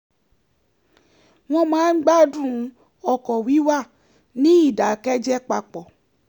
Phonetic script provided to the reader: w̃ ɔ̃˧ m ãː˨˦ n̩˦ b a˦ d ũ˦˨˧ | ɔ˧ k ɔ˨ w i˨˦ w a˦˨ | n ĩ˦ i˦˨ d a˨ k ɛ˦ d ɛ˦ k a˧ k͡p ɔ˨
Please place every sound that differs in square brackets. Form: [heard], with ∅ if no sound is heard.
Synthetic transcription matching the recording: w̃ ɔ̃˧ m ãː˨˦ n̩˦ [ɡ͡b] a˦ d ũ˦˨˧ | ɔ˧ k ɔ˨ w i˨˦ w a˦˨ | n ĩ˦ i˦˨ d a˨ k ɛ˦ [d͡ʒ] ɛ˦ [k͡p] a˧ k͡p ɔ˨